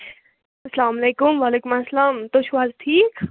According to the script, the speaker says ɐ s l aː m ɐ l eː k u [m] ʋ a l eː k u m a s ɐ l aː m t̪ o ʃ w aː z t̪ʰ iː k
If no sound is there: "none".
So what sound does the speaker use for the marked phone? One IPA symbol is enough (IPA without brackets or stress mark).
m